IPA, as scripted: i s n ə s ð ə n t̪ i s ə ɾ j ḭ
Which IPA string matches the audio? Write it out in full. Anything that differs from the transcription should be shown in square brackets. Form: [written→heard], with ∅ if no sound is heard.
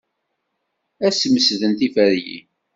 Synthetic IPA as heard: [i→æ] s [n→m] ə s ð ə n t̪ i [s→f] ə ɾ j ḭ